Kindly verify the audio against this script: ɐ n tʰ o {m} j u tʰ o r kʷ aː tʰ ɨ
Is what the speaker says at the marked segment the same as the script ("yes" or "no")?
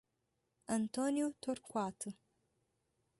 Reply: no